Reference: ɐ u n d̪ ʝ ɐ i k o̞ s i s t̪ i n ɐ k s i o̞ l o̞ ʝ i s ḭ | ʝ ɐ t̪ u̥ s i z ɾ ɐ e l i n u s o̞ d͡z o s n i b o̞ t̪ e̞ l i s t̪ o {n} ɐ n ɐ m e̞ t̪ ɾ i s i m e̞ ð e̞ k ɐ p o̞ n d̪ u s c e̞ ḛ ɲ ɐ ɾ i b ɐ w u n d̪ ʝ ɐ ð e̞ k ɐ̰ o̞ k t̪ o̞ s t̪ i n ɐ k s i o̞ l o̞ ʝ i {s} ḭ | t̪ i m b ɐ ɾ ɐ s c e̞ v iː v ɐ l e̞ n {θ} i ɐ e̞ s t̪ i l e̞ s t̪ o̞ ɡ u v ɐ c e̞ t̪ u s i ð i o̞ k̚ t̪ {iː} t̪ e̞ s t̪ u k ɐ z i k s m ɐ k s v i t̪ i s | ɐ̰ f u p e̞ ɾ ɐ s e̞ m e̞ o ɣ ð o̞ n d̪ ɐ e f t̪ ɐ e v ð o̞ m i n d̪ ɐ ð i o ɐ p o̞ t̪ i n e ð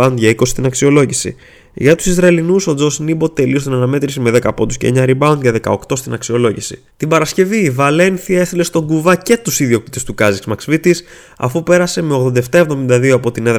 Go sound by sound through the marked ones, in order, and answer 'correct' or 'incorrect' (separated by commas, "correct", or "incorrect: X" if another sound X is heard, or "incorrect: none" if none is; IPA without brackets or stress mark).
correct, correct, correct, incorrect: i